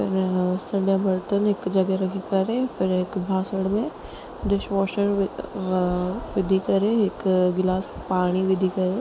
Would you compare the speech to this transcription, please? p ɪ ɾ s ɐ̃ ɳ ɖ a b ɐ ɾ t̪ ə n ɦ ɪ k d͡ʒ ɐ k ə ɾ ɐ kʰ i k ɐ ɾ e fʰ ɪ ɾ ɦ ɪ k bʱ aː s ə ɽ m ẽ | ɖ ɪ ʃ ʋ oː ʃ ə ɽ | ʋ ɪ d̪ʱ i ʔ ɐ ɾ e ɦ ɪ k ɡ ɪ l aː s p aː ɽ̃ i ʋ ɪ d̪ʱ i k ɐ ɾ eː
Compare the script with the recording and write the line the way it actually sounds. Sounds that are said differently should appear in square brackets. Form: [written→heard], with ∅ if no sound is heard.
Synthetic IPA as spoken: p ɪ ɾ s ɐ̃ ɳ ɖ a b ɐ ɾ t̪ ə n ɦ ɪ k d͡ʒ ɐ [k→ɡ] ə ɾ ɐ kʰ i k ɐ ɾ e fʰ ɪ ɾ ɦ ɪ k bʱ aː s ə ɽ m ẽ | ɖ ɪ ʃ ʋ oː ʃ ə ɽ | ʋ ɪ d̪ʱ i [ʔ→k] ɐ ɾ e ɦ ɪ k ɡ ɪ l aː s p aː ɽ̃ i ʋ ɪ d̪ʱ i k ɐ ɾ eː